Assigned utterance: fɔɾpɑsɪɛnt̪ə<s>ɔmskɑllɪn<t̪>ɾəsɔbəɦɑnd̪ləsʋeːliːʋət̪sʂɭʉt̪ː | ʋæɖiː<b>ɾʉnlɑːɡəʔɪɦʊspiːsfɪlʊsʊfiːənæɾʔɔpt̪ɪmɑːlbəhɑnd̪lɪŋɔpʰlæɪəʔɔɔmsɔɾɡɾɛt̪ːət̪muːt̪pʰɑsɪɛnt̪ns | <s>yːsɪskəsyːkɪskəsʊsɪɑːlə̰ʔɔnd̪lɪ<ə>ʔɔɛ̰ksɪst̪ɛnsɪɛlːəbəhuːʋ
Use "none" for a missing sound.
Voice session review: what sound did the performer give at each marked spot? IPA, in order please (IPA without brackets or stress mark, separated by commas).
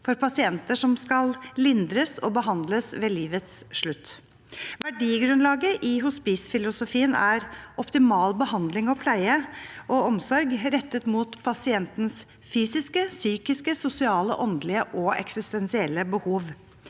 ʂ, d̪, ɡ, f, ə